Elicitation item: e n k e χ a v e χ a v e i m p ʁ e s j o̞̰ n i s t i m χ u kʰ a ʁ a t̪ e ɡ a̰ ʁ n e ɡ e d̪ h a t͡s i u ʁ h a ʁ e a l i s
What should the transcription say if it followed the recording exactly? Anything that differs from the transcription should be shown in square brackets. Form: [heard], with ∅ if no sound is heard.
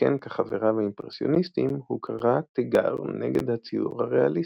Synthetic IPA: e n k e χ a v e [ʁ] a v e i m p ʁ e s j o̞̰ n i s t i m [h] u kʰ a ʁ a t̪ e ɡ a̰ ʁ n e ɡ e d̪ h a t͡s i u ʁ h a ʁ e a l i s